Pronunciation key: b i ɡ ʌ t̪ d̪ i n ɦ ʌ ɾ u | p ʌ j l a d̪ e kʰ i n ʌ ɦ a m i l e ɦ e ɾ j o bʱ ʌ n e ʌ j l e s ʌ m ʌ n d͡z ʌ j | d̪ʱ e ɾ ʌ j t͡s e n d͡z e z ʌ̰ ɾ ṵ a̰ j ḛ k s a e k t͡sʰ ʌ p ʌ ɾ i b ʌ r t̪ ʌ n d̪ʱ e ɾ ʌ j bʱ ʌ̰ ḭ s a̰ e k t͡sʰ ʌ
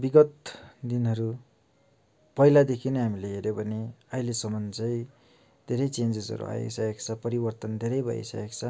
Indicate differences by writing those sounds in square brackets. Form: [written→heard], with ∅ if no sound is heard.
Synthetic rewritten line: b i ɡ ʌ t̪ d̪ i n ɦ ʌ ɾ u | p ʌ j l a d̪ e kʰ i n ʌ ɦ a m i l e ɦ e ɾ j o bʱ ʌ n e ʌ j l e s ʌ m ʌ n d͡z ʌ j | d̪ʱ e ɾ ʌ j t͡s e n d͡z e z ʌ̰ ɾ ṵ a̰ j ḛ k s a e k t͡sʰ ʌ p ʌ ɾ i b ʌ r t̪ ʌ n d̪ʱ e ɾ ʌ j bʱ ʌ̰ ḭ s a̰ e k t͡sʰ ʌ